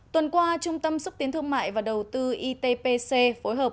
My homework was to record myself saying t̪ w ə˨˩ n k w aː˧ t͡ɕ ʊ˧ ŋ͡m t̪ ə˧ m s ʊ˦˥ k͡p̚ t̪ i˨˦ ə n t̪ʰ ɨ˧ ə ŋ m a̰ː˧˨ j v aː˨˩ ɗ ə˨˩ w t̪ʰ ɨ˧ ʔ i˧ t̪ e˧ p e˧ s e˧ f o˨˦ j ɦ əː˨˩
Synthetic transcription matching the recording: t̪ w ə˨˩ n k w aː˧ t͡ɕ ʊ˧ ŋ͡m t̪ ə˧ m s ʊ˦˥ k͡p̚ t̪ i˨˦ ə n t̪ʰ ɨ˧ ə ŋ m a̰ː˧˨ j v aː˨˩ ɗ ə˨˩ w t̪ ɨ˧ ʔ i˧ t̪ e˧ p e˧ s e˧ f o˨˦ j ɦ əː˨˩